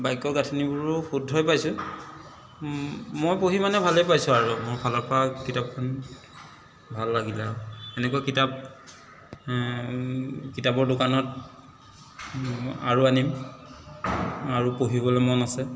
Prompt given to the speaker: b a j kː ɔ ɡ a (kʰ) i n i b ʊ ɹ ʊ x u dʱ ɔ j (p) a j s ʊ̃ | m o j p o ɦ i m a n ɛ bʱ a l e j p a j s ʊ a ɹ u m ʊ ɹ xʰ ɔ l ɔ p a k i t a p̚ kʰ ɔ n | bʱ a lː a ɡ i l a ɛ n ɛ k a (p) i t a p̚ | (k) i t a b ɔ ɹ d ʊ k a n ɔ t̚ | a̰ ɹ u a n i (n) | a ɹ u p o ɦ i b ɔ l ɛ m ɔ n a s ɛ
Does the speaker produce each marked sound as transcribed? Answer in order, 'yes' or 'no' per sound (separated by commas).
no, yes, no, yes, no